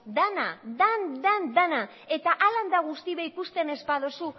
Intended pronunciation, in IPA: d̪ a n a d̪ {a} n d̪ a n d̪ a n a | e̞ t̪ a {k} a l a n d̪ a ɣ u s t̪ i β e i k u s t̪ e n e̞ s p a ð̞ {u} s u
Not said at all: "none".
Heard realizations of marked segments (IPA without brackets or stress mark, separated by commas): a, ʔ, o